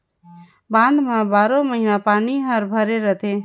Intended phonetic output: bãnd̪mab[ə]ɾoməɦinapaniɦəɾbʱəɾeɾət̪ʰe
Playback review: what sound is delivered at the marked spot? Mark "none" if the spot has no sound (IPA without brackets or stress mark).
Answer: a